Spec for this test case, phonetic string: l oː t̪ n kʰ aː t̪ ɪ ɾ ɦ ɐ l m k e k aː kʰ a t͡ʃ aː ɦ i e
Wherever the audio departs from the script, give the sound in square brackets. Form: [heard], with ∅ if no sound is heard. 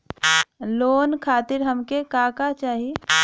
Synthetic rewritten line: l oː [∅] n kʰ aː t̪ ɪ ɾ ɦ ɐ [∅] m k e k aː [k] a t͡ʃ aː ɦ i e